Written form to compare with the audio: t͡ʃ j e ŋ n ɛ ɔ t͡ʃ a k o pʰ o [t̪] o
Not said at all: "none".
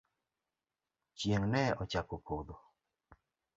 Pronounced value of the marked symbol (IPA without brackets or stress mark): d̪